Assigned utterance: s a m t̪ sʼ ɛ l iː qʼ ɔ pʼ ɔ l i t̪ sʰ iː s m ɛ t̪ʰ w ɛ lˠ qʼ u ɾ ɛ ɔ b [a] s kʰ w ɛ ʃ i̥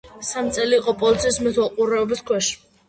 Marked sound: incorrect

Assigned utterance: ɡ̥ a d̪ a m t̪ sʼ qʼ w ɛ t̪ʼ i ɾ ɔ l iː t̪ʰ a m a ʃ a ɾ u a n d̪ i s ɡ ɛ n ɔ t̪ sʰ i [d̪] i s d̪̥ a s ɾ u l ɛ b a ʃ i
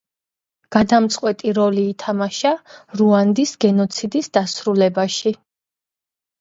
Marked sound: correct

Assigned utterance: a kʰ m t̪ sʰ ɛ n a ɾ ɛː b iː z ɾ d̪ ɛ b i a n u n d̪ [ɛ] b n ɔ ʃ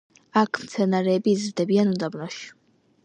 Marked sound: incorrect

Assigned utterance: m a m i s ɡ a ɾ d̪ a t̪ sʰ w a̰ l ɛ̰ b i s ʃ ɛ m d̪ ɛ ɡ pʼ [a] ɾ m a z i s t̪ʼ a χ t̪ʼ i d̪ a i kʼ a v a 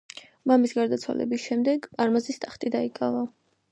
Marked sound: correct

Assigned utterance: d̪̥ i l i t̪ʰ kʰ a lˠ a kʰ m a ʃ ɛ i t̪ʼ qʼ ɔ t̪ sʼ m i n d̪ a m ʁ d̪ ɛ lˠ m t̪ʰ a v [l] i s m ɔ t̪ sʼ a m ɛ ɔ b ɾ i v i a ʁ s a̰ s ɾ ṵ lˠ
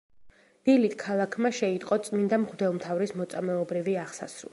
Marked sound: incorrect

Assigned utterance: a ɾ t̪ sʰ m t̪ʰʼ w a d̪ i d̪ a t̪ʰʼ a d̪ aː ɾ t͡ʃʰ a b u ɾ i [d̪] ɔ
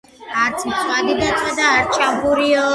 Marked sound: incorrect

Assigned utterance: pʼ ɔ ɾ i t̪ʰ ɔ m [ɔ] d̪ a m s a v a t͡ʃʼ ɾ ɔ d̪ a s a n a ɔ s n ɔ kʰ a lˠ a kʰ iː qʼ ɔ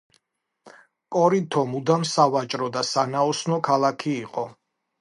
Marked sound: incorrect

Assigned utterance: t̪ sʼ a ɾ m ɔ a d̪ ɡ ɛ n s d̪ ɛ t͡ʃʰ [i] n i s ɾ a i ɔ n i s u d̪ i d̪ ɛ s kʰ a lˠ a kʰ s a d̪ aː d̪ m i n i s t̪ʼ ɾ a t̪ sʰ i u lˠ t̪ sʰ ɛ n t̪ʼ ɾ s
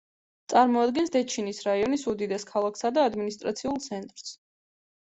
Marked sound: correct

